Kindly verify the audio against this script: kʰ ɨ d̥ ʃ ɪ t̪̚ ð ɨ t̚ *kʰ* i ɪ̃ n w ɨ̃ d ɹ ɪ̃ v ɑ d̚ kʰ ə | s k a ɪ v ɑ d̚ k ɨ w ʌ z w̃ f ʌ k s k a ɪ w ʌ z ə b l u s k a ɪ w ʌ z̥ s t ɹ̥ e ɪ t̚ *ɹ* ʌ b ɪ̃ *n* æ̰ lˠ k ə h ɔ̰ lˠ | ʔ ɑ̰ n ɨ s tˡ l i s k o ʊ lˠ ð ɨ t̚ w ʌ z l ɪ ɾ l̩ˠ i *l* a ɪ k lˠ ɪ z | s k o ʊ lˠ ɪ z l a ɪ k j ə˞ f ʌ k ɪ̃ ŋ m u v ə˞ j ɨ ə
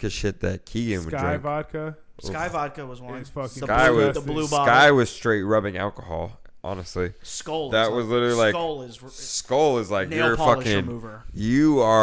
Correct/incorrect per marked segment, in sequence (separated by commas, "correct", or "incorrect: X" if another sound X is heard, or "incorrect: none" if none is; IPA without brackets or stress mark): correct, correct, incorrect: ŋ, correct